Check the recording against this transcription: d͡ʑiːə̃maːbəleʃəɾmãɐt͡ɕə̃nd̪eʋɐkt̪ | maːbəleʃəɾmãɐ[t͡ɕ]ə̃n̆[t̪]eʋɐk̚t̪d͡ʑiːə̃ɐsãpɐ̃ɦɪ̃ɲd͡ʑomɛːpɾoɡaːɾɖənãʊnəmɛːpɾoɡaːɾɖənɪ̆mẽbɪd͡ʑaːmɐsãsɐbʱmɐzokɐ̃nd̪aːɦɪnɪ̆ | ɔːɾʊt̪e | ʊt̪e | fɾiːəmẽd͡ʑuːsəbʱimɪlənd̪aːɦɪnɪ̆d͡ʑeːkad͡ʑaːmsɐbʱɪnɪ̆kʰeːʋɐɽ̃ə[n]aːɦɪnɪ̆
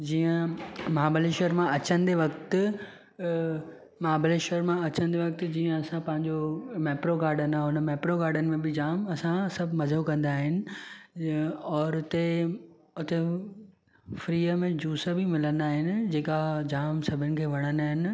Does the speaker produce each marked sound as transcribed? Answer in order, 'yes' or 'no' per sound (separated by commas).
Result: yes, no, yes